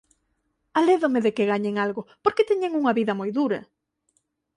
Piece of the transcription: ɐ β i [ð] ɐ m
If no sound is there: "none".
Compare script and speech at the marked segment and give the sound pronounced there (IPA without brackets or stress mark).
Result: ð